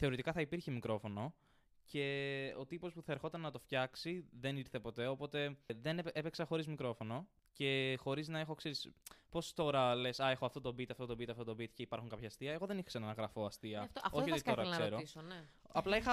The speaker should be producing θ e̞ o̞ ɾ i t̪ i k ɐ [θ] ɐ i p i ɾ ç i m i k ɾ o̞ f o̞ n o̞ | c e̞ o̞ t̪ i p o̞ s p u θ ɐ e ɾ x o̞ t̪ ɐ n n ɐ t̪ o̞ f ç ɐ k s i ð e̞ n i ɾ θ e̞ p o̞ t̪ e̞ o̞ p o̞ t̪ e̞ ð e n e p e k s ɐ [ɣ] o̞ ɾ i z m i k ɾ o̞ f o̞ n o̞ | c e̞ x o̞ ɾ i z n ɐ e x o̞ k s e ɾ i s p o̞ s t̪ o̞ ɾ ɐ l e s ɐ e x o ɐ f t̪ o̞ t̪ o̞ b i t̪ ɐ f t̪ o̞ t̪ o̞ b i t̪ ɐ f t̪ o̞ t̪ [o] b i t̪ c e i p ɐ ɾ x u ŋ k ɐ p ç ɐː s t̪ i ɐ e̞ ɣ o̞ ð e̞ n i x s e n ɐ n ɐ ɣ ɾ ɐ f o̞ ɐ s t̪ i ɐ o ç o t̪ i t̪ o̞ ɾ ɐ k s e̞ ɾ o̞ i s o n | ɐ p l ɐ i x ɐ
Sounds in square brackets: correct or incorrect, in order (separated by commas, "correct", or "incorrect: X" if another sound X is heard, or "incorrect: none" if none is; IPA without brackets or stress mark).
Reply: correct, incorrect: x, correct